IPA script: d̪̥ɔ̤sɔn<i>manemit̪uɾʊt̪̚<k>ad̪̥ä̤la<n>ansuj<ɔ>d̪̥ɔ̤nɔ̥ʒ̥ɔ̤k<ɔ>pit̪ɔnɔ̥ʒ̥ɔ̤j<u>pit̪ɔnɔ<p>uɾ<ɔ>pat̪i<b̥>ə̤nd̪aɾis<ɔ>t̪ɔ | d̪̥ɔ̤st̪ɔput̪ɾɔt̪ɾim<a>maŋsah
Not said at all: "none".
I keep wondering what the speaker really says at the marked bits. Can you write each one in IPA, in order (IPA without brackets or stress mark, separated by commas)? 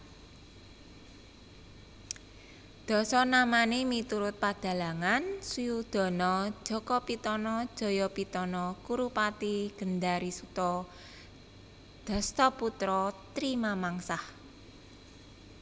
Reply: a, p, ŋ, u, ɔ, ɔ, k, u, ɡ̥, u, a